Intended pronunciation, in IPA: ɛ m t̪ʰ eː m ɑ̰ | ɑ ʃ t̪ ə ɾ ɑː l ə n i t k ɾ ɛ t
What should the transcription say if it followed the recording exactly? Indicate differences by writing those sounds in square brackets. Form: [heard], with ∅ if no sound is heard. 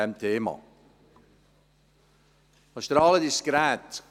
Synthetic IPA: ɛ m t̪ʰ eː m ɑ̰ | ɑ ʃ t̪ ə ɾ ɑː l ə [d] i [s] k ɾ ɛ t